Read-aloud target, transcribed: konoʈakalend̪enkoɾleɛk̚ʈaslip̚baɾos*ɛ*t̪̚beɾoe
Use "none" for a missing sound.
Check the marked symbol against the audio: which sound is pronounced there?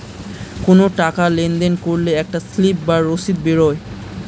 i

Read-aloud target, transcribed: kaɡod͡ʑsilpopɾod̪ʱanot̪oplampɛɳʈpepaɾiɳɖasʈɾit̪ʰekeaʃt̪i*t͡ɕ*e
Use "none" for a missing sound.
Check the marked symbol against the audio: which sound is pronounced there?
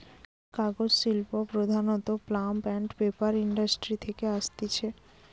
t͡ɕʰ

